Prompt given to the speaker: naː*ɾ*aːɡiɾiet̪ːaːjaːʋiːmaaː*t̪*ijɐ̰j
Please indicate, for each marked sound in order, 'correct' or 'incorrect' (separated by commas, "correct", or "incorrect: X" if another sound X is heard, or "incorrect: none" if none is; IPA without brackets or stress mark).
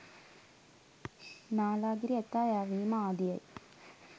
incorrect: l, incorrect: d̪